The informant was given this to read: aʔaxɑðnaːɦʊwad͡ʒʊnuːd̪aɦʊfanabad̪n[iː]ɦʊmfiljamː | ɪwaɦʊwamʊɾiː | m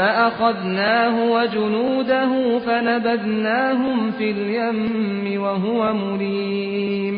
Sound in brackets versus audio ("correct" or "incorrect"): incorrect